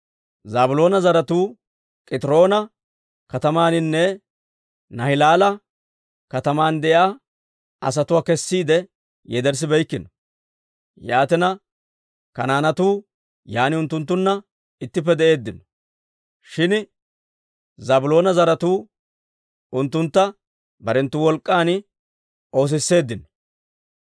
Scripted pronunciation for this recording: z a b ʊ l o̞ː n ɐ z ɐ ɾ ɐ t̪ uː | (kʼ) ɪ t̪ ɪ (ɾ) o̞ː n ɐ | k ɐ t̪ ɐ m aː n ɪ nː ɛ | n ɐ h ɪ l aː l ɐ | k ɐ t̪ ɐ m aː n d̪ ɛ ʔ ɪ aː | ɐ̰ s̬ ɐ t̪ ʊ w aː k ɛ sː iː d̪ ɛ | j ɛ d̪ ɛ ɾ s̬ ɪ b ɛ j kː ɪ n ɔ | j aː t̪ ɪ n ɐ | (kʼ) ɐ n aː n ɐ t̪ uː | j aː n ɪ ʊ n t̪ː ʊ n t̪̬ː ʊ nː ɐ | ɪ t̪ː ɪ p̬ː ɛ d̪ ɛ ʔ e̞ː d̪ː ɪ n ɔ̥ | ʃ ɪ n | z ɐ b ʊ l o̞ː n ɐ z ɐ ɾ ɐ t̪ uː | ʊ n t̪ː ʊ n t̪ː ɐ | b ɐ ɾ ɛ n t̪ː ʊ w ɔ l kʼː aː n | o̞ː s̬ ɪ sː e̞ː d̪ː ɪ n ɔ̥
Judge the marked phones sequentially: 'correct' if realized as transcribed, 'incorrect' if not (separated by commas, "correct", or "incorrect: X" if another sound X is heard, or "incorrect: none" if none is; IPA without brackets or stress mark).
correct, correct, incorrect: k